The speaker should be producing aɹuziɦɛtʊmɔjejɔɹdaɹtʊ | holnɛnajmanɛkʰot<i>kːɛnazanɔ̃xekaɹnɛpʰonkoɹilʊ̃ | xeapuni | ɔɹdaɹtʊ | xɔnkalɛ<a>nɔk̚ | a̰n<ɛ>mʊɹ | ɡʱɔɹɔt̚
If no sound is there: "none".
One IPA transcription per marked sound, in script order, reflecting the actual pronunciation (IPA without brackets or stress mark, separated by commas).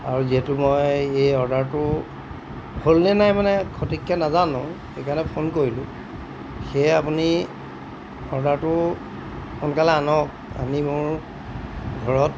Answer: i, a, i